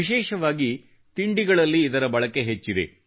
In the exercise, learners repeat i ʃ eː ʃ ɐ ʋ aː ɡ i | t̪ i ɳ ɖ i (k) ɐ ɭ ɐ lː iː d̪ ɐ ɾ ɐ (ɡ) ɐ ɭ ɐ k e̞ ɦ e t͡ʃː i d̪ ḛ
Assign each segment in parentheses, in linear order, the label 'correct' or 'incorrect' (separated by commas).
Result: incorrect, incorrect